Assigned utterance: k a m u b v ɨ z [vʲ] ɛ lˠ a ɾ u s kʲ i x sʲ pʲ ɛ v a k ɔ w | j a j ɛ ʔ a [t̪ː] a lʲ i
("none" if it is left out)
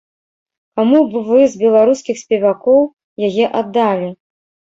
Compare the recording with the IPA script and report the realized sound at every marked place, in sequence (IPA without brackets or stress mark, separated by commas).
bʲ, d̪ː